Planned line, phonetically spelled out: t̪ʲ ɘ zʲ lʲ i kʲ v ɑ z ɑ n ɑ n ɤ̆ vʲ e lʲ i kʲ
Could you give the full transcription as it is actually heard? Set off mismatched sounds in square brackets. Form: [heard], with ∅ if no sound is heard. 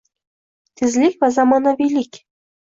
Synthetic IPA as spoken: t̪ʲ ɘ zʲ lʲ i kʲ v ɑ z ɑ [m] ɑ n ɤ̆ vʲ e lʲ i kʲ